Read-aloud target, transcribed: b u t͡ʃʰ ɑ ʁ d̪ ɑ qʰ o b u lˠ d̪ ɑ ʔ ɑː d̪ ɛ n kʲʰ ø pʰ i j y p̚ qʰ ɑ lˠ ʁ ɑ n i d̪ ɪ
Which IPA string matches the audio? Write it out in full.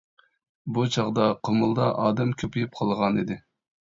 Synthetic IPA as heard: b u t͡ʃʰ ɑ ʁ d̪ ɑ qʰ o m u lˠ d̪ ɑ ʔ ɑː d̪ ɛ m kʲʰ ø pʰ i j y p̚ qʰ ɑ lˠ ʁ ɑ n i d̪ ɪ